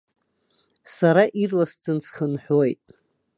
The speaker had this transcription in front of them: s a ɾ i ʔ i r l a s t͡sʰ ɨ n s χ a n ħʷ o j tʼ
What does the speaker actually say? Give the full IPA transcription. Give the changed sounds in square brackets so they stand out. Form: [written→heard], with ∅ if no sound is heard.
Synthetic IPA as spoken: s a ɾ [i→a] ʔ i r l a s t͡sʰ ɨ n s χ [a→ə] n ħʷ o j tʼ